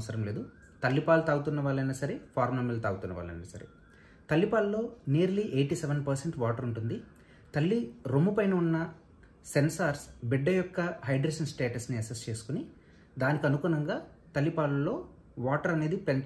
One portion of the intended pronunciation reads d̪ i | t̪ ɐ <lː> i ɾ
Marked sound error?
no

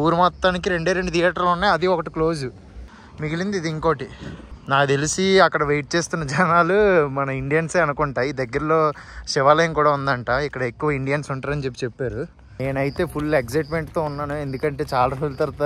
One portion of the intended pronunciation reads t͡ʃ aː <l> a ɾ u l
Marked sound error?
no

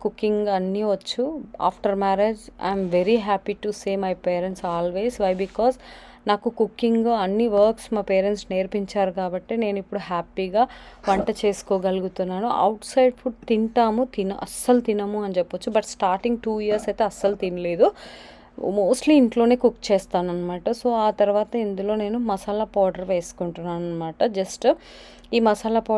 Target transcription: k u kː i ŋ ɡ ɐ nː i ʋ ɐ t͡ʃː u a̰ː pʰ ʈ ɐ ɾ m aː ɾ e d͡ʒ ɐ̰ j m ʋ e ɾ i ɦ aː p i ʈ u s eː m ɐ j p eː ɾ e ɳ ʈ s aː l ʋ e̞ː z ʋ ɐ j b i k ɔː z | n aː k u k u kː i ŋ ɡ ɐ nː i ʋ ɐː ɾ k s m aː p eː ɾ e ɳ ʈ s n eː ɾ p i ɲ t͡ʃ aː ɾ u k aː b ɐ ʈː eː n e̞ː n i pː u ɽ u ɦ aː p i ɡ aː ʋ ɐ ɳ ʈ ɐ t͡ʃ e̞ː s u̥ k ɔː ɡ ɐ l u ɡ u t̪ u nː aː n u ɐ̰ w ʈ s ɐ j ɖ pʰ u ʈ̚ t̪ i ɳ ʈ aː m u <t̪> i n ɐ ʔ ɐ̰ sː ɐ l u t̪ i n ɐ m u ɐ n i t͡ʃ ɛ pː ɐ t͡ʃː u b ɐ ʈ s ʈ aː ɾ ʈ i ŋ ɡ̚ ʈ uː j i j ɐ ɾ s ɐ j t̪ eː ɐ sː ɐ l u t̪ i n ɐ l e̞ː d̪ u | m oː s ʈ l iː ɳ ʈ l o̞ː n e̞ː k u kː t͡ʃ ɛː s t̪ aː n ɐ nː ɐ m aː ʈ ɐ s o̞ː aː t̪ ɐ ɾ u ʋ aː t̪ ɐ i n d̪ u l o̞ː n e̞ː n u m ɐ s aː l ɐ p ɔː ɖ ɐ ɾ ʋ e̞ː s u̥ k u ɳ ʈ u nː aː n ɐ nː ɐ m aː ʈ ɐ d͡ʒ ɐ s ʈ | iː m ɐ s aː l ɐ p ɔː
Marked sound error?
no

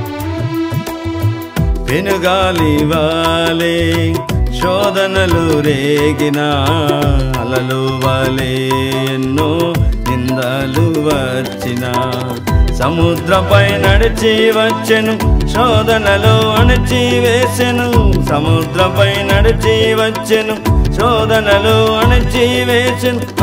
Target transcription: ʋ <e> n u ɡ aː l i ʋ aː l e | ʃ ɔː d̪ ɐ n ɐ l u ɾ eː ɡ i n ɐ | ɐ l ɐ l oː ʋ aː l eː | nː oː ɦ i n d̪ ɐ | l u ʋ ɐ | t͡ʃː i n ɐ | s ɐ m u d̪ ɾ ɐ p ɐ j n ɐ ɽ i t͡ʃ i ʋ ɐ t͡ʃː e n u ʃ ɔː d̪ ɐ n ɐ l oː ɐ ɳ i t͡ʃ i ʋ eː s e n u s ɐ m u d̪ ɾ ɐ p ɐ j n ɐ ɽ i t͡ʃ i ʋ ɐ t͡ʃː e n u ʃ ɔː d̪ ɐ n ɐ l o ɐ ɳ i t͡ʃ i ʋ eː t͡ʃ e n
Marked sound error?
no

